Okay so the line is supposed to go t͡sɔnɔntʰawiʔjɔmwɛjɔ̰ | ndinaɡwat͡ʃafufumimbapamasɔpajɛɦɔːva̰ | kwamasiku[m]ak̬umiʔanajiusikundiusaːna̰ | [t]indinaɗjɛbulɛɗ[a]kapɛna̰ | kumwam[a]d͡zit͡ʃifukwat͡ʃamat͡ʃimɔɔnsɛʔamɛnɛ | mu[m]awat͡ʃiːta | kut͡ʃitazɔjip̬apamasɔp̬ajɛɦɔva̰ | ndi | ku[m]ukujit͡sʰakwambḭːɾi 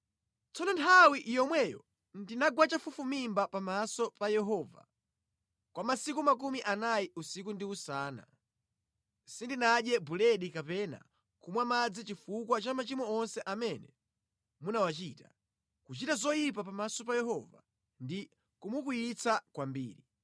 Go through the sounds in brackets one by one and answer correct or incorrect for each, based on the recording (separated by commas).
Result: correct, incorrect, incorrect, correct, incorrect, correct